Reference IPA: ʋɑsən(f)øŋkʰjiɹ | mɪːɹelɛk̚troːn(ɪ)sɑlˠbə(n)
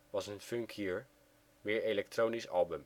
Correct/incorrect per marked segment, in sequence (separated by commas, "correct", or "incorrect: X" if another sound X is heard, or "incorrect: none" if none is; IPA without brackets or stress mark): correct, incorrect: i, incorrect: m